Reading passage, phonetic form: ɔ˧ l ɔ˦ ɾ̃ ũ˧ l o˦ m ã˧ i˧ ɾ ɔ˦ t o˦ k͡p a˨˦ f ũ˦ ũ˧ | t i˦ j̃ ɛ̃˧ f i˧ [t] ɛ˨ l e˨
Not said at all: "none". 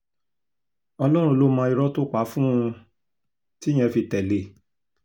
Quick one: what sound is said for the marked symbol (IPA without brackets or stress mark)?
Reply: t